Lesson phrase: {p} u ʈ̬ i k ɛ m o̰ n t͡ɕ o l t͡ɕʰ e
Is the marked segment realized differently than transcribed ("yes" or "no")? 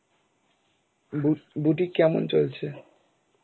yes